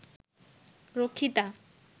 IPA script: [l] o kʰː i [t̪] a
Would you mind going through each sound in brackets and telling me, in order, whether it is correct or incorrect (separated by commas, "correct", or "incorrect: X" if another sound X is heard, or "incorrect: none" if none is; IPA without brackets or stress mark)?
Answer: incorrect: ɾ, correct